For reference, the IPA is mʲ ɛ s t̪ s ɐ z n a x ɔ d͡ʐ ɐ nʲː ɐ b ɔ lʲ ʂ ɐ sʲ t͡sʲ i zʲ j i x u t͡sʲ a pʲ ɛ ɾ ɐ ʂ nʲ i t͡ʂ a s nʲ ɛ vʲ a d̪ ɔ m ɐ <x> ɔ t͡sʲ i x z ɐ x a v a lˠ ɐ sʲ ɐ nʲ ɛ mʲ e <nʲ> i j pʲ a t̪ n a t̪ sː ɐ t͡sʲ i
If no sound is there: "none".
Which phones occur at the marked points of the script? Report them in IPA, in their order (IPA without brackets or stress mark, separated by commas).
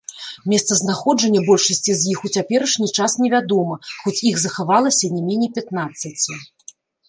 x, nʲ